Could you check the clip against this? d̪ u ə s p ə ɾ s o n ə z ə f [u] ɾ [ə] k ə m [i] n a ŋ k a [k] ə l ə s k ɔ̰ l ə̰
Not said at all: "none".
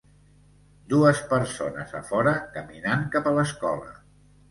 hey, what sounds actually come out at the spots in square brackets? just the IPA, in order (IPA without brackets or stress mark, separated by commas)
ɔ, ə, i, p